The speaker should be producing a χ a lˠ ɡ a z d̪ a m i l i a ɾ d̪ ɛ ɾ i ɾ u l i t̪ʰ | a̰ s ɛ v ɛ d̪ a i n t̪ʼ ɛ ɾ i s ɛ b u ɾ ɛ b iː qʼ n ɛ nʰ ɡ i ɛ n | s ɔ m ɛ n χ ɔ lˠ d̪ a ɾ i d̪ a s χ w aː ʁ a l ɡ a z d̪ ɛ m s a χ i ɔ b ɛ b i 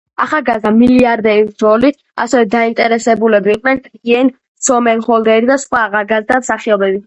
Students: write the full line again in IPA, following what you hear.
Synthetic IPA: a χ a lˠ ɡ a z d̪ a m i l i a ɾ d̪ ɛ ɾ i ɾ ɔ l i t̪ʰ | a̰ s ɛ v ɛ d̪ a i n t̪ʼ ɛ ɾ ɛ s ɛ b u l ɛ b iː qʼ n ɛ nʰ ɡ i ɛ n | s ɔ m ɛ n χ ɔ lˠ d̪ ɛ ɾ i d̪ a s χ w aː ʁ a l ɡ a z d̪ a m s a χ i ɔ b ɛ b i